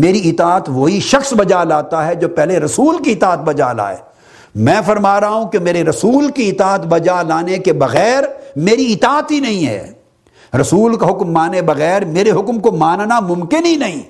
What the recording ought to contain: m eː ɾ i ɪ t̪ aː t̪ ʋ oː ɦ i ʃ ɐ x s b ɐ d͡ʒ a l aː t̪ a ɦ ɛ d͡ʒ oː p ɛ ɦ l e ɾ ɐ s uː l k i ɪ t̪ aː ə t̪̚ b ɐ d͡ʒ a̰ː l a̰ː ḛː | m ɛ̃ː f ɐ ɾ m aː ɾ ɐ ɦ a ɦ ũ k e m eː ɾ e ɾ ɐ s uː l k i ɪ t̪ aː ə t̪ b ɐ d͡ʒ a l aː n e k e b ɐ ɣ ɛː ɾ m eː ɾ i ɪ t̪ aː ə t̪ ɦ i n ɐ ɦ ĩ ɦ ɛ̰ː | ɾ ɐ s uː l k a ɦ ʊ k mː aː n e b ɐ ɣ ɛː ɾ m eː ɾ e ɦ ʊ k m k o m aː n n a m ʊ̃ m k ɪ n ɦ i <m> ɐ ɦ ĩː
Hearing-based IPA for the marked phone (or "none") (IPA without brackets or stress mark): n